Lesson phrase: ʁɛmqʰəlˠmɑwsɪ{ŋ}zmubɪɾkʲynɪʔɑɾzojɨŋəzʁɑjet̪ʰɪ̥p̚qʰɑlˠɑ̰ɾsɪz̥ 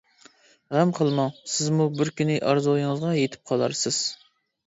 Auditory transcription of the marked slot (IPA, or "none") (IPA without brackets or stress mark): none